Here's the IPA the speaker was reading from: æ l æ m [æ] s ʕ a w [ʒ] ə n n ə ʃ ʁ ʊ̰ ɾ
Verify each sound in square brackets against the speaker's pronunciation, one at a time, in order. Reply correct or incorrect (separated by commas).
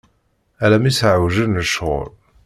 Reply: incorrect, correct